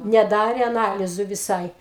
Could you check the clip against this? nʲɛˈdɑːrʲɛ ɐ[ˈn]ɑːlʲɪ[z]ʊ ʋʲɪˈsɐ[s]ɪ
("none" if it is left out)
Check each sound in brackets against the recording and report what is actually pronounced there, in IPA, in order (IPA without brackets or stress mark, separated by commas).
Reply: n, z, none